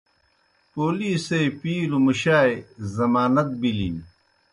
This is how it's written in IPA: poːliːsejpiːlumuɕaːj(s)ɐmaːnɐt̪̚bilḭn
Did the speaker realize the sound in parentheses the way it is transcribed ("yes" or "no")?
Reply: no